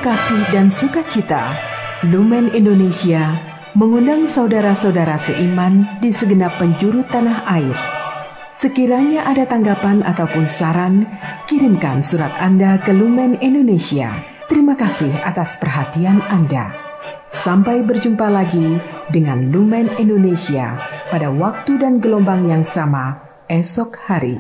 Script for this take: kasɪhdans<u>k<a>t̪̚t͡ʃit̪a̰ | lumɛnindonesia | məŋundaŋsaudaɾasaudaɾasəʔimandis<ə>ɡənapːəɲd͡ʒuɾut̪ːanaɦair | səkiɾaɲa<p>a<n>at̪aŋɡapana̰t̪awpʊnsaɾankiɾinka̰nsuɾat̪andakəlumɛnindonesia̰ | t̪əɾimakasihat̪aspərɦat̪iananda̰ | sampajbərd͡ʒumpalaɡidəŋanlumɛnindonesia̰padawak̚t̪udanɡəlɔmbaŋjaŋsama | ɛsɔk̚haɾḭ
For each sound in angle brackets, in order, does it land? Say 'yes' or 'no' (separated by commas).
yes, yes, yes, no, no